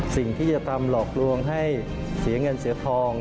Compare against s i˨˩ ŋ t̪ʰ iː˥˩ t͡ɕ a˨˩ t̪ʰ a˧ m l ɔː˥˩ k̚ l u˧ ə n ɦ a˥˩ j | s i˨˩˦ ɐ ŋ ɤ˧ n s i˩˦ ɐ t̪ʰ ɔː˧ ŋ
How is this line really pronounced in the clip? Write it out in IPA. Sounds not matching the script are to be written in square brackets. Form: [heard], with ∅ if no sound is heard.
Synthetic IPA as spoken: s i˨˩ ŋ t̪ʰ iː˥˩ t͡ɕ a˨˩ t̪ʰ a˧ m l [ɔː˨˩] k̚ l u˧ ə [ŋ] ɦ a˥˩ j | s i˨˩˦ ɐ ŋ ɤ˧ n s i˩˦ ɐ t̪ʰ ɔː˧ ŋ